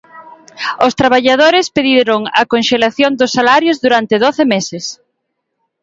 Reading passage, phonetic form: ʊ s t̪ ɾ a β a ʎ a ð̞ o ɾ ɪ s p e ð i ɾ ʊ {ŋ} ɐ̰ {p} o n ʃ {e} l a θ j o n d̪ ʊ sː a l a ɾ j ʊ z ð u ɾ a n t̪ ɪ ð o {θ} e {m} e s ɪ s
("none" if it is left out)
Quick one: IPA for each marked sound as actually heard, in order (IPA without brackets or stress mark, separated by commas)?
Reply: ŋ, k, e, θ, m